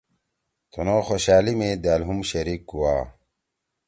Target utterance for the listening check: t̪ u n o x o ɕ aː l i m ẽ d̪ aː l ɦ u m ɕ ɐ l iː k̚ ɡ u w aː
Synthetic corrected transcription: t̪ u n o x o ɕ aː l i m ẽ d̪ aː l ɦ u m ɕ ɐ ɾ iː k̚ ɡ u w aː